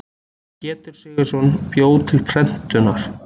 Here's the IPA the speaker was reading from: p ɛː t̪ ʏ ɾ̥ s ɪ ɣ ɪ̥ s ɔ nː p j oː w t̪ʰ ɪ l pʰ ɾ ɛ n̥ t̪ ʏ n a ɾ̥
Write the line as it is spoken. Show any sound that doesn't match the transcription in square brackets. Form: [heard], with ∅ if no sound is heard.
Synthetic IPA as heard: [c] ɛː t̪ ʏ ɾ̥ s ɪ ɣ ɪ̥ s ɔ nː p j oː w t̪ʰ ɪ l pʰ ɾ ɛ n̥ t̪ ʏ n a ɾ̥